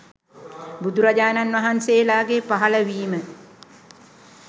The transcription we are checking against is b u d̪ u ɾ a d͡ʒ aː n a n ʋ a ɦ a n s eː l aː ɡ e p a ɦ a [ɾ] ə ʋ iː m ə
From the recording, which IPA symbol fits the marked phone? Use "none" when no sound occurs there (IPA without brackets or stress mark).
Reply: l